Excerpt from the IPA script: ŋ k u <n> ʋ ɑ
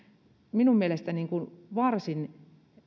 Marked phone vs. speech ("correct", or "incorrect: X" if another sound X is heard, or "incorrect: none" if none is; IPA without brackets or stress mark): correct